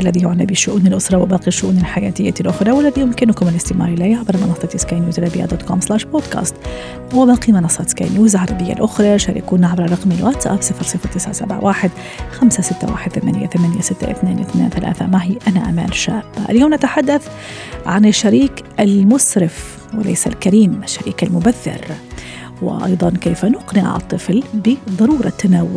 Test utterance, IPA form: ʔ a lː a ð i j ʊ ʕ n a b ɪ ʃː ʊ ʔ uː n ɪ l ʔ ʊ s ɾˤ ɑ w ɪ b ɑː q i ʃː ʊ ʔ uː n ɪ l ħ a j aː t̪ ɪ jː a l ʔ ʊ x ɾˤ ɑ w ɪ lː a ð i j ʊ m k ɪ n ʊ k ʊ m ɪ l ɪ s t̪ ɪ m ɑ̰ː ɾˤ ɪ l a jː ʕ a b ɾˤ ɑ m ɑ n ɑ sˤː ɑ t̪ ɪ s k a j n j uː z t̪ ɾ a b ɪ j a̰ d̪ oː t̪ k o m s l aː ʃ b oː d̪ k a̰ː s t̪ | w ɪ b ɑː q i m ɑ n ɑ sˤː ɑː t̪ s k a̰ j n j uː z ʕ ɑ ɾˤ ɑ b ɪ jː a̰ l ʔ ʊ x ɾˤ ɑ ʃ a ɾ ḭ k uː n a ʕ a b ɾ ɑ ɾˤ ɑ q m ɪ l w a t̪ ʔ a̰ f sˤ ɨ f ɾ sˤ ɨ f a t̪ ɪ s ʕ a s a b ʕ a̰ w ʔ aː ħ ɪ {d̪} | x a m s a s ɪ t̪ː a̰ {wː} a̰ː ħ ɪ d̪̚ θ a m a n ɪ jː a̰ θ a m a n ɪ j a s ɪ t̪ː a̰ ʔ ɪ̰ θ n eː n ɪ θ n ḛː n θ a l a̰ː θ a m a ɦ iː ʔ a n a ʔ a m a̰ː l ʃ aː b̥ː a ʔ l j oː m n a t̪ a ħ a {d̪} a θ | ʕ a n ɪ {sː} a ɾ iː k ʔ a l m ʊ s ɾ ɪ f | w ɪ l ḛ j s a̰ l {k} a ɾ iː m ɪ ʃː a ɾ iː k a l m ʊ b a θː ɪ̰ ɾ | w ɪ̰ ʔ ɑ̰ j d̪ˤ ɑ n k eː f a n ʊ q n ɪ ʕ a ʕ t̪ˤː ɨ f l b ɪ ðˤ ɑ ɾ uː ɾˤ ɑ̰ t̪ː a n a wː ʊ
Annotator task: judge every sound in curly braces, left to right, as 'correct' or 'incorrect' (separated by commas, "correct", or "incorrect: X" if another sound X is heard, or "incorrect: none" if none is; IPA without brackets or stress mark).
correct, incorrect: w, incorrect: d̪ː, incorrect: ʃː, correct